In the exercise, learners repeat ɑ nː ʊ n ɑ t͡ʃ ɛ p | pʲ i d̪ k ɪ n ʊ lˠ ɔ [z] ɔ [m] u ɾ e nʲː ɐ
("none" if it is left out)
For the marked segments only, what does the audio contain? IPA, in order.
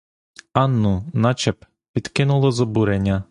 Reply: z, b

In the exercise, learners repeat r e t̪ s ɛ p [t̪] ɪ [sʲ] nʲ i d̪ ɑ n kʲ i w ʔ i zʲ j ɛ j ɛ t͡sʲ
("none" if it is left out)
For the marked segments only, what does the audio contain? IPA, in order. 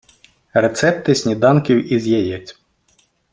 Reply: t̪, sʲ

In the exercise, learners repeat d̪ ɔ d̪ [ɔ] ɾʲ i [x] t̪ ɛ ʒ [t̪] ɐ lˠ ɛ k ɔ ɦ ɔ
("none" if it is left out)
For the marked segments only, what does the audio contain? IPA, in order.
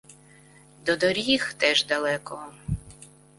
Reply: ɔ, x, d̪

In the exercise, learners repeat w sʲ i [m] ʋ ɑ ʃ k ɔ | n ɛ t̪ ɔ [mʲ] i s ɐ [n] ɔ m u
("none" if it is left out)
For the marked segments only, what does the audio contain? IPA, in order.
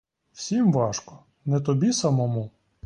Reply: m, bʲ, m

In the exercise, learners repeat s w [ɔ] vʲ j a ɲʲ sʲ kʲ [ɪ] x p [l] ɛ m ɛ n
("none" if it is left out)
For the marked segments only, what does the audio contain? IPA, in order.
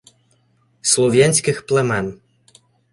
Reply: ɔ, i, l

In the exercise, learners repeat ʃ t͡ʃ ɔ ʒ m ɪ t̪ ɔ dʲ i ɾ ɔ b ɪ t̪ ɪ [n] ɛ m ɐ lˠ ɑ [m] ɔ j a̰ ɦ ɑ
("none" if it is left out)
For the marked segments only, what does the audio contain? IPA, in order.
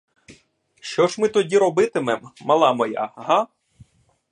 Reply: m, m

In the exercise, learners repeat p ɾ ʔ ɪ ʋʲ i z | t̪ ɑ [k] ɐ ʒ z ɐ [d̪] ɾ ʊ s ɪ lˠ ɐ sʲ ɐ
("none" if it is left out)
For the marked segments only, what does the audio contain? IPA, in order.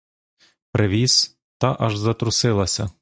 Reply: ʔ, t̪

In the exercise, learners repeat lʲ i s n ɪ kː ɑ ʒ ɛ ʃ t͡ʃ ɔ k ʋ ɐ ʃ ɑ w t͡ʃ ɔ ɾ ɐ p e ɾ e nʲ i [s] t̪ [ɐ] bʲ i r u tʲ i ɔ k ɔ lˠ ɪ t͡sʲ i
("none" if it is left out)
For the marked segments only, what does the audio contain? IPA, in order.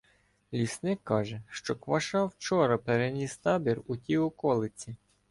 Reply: s, ɑ

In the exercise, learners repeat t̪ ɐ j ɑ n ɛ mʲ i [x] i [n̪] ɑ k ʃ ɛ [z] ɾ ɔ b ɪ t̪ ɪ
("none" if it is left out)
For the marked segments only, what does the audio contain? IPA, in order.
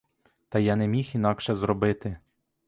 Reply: x, n̪, z

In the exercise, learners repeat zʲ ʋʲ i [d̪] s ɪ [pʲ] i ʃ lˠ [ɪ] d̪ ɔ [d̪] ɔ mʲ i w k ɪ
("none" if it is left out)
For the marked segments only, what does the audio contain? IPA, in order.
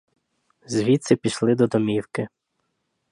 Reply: t̪, pʲ, ɪ, d̪

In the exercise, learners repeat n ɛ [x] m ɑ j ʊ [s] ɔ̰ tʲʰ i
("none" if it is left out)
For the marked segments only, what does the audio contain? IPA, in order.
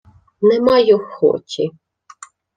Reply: none, x

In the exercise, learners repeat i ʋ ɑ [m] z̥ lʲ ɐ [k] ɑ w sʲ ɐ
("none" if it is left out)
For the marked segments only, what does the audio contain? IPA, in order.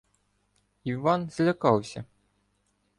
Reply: n, k

